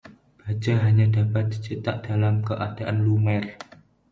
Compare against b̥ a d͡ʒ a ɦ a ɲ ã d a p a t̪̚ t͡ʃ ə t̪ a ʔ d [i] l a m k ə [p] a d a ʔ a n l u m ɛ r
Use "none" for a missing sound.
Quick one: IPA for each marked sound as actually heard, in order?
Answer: a, ʔ

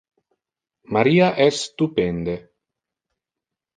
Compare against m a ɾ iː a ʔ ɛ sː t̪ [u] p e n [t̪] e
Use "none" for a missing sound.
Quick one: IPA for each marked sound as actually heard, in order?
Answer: u, d̪

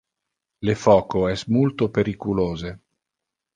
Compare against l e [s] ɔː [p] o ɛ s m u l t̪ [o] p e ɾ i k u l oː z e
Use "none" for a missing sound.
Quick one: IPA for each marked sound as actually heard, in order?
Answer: f, k, o

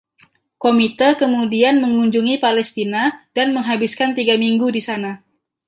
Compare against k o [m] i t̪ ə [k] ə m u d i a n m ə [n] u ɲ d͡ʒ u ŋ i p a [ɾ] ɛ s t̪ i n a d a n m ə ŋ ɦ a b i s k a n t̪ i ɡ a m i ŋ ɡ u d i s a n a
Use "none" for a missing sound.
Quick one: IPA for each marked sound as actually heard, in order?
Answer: m, k, ŋ, l

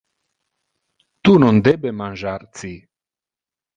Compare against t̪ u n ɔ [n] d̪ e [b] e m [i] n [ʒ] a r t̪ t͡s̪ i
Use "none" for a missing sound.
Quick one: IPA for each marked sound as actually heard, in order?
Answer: n, b, a, ʒ

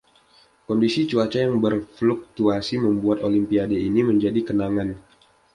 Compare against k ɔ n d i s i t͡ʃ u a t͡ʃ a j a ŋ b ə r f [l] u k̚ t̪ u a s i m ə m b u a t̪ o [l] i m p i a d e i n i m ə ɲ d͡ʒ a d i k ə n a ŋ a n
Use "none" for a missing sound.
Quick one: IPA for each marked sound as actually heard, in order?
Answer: l, l

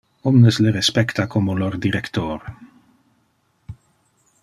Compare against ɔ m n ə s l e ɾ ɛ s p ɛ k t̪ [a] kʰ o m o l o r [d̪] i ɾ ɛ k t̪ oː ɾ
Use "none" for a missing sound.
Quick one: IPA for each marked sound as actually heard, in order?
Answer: a, d̪

